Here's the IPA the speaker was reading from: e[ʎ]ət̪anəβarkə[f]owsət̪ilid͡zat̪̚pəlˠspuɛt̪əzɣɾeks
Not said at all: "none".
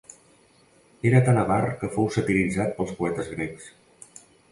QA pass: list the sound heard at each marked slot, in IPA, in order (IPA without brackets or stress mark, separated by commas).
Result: ɾ, f